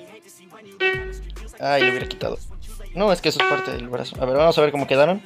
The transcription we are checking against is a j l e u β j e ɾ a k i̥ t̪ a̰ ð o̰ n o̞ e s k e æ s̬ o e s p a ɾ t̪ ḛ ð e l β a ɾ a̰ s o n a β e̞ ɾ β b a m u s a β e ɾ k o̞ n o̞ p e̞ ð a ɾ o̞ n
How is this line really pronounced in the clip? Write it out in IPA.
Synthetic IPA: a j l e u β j e ɾ a k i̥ t̪ a̰ ð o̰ n o̞ e s k e e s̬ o e s p a ɾ t̪ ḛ ð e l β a ɾ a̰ s o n a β e̞ ɾ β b a m o s a β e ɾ k o̞ m o̞ k e̞ ð a ɾ o̞ n